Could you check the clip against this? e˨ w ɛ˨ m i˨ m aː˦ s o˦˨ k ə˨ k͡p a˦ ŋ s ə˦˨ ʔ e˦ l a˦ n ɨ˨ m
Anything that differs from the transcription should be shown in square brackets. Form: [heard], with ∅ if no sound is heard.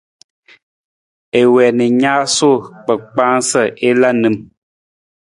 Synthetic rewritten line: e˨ w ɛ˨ [n] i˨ [ɲ] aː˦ s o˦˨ [k͡p] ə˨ k͡p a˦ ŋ s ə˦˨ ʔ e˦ l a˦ n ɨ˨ m